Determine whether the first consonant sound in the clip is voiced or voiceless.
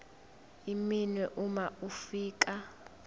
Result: voiced